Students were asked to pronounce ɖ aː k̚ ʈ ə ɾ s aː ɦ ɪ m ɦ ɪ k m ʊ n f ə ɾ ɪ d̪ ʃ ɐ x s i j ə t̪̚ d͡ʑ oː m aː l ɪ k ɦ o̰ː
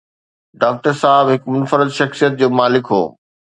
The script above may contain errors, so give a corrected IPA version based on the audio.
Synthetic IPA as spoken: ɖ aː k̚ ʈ ə ɾ s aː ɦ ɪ b ɦ ɪ k m ʊ n f ə ɾ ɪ d̪ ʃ ɐ x s i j ə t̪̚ d͡ʑ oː m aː l ɪ k ɦ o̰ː